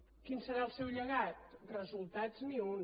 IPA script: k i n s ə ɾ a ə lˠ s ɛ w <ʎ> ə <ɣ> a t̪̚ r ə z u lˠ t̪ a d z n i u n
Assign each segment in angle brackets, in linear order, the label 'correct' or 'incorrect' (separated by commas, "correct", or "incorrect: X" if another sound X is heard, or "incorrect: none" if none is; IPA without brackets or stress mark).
correct, correct